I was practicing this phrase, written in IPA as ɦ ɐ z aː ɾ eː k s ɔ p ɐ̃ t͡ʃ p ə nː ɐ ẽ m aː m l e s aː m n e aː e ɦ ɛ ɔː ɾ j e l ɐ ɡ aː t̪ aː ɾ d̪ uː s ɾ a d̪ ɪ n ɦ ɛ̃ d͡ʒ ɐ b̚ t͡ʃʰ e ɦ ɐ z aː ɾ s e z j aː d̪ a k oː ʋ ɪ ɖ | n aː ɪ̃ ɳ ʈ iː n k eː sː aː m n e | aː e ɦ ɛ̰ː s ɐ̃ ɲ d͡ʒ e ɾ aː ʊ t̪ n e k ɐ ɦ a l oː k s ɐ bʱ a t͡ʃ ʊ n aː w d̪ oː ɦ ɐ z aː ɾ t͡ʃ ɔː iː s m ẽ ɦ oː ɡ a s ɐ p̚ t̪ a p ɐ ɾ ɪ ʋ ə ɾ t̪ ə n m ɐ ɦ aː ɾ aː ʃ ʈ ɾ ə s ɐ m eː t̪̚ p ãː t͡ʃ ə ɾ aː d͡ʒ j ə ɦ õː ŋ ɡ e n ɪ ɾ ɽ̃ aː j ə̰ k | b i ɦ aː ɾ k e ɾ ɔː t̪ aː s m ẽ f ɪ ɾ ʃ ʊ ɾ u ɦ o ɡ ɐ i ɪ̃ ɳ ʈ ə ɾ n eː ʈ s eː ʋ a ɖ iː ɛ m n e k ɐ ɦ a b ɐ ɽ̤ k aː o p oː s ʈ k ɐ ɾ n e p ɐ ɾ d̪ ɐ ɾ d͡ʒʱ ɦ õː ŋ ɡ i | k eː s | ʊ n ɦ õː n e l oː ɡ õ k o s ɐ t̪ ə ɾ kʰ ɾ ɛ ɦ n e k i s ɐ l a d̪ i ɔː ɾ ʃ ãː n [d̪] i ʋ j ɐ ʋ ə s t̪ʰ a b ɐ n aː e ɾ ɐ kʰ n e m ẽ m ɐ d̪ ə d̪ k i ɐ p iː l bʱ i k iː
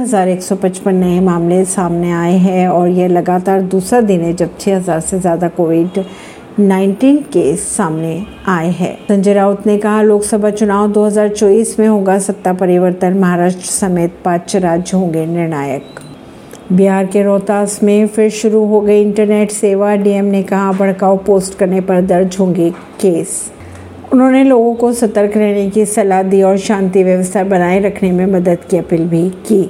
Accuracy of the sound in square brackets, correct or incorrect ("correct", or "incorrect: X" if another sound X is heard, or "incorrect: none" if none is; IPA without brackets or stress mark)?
incorrect: t̪